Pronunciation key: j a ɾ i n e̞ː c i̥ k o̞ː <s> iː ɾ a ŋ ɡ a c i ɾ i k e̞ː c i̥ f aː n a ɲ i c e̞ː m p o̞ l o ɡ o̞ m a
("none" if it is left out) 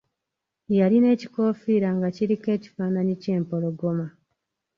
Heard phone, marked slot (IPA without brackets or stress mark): f